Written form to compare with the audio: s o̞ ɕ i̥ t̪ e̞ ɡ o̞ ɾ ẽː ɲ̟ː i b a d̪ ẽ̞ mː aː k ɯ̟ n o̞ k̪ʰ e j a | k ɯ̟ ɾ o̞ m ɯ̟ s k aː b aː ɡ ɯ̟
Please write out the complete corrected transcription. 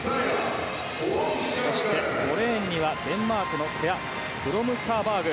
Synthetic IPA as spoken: s o̞ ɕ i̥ t̪ e̞ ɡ o̞ ɾ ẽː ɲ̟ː i β a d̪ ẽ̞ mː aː k ɯ̟ n o̞ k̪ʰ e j a | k ɯ̟ ɾ o̞ m ɯ̟ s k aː b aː ɡ ɯ̟